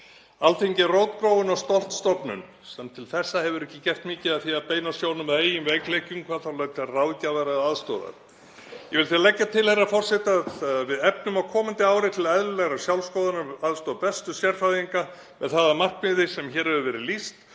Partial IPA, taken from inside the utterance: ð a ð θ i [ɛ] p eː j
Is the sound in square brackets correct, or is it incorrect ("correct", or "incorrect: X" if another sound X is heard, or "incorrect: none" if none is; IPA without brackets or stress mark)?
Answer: incorrect: a